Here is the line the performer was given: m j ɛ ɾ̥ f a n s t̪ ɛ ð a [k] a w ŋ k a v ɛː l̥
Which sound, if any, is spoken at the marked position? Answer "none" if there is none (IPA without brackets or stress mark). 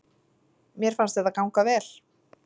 k